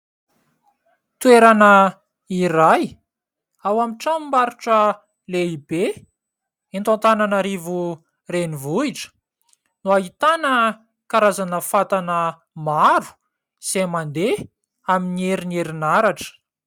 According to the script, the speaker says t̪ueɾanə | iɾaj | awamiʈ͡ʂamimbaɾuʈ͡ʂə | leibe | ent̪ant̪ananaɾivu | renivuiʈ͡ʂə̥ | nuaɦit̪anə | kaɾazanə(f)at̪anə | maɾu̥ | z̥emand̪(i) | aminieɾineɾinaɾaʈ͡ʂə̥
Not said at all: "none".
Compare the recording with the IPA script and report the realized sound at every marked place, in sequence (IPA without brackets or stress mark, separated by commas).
f, e